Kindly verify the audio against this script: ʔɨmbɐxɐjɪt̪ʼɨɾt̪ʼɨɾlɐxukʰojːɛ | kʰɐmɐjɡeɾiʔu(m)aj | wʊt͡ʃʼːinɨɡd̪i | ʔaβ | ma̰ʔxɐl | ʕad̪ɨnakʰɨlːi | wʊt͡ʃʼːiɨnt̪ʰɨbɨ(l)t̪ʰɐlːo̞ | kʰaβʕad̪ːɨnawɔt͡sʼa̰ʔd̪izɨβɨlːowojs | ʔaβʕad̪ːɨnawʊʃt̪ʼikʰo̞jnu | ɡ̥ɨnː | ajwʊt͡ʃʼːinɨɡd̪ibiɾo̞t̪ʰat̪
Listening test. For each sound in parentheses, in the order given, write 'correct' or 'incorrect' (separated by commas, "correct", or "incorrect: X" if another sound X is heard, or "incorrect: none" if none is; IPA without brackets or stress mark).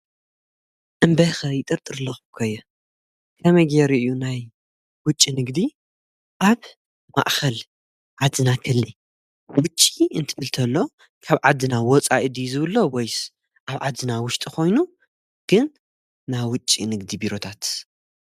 incorrect: n, correct